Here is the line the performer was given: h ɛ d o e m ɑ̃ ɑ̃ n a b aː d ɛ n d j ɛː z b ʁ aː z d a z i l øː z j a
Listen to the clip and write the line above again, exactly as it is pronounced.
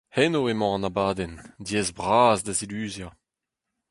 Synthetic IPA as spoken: h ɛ n o e m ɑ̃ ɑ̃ n a b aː d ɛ n d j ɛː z b ʁ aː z d a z i l yː z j a

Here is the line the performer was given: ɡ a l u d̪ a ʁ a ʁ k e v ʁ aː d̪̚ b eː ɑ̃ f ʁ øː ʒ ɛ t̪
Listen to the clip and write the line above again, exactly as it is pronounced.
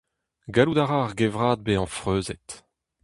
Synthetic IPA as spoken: ɡ a l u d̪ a ʁ a ʁ ɡ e v ʁ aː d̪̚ b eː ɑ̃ f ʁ øː z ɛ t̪

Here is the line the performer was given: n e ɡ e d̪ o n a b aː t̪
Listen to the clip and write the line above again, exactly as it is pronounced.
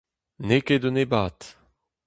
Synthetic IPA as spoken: n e k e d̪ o n e b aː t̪

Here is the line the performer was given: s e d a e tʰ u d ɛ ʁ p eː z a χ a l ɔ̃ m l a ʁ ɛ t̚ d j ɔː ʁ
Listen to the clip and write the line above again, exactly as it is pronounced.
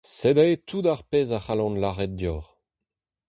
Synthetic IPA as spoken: s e d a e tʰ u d a ʁ p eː z a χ a l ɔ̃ n l a ʁ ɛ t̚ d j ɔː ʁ

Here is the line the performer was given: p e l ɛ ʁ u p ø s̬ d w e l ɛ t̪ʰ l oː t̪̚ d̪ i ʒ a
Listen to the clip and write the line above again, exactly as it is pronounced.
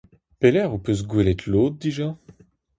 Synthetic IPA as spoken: p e l ɛ ʁ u p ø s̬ ɡ w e l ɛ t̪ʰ l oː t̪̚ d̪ i ʒ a

